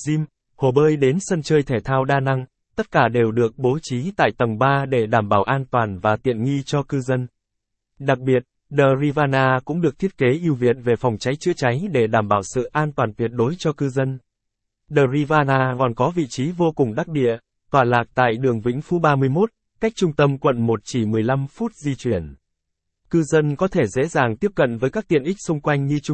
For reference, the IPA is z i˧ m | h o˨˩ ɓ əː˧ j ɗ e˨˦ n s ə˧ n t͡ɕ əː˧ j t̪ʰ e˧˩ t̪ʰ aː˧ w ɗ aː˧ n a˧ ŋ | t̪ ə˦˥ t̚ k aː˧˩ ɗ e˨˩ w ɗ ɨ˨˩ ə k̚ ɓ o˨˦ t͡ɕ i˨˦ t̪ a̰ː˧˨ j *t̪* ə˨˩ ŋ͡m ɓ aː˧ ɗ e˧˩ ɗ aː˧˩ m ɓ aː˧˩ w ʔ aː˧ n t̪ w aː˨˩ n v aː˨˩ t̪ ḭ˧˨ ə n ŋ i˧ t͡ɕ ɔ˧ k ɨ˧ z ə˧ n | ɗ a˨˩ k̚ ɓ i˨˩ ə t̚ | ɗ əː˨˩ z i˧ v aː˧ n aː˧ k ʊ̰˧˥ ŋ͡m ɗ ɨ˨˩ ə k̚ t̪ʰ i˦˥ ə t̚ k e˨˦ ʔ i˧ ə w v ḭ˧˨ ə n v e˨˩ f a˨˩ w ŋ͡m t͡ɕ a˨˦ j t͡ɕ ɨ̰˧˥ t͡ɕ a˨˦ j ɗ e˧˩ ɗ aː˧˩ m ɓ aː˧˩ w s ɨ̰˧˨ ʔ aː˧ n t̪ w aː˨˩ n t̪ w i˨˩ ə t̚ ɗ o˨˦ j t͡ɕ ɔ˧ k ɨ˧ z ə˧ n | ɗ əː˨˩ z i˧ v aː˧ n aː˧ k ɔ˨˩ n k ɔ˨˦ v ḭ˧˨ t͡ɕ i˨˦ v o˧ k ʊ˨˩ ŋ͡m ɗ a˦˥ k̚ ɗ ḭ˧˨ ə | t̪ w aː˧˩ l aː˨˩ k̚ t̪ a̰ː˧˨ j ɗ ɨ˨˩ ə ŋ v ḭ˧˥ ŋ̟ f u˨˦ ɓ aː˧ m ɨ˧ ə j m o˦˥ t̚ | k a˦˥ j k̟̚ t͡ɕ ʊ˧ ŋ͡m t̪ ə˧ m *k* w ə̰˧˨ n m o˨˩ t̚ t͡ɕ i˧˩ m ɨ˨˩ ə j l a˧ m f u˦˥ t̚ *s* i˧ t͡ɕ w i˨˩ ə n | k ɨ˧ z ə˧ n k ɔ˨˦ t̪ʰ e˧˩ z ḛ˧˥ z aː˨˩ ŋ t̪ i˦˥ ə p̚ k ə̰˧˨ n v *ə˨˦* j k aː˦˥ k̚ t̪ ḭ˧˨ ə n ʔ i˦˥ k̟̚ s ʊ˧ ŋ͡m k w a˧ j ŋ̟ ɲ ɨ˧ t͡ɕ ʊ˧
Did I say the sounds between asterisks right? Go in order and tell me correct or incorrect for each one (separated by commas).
correct, correct, incorrect, incorrect